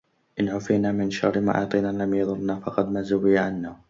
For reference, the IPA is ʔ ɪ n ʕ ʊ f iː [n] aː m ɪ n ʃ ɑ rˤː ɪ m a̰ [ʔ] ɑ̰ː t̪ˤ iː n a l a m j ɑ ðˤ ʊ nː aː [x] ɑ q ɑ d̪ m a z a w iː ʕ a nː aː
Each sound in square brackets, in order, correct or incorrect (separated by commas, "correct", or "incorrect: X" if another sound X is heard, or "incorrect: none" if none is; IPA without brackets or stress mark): correct, correct, incorrect: f